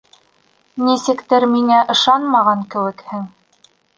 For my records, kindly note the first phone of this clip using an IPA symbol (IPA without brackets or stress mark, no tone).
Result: n